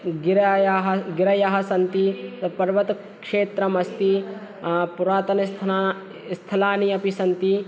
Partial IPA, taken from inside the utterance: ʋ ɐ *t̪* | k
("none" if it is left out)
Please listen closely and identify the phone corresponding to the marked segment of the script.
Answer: t̪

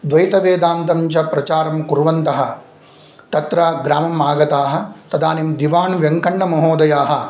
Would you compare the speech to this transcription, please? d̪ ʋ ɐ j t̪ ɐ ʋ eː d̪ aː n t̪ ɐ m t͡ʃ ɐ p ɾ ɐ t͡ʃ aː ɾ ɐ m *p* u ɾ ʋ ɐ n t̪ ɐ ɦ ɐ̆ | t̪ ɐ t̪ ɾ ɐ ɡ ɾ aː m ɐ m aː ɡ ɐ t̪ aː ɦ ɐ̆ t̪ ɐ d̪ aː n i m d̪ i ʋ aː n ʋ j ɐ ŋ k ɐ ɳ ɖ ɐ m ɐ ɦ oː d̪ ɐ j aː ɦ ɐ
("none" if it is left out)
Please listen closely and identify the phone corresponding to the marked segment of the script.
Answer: k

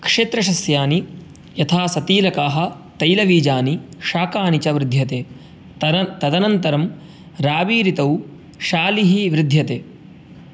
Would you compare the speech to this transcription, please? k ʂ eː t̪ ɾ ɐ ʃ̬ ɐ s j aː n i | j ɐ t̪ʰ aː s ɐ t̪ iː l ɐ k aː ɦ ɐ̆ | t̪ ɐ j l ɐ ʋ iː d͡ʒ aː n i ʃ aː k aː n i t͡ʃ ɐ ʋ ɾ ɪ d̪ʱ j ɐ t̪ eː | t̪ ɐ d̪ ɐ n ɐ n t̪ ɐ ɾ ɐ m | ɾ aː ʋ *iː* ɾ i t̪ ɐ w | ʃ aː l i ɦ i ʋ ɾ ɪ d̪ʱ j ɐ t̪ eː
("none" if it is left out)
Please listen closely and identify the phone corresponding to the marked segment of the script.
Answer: iː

